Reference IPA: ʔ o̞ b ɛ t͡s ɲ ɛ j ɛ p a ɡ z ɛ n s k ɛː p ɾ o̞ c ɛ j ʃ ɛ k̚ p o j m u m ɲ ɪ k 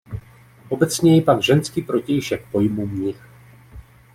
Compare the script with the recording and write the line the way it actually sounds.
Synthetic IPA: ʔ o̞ b ɛ t͡s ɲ ɛ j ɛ p a ɡ ʒ ɛ n s k iː p ɾ o̞ c ɛ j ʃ ɛ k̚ p o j m u m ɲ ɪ x